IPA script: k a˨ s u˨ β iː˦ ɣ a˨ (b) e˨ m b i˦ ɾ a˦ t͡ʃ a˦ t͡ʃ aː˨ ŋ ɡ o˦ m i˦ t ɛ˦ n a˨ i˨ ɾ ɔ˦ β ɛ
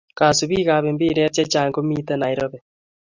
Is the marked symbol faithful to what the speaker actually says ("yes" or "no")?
no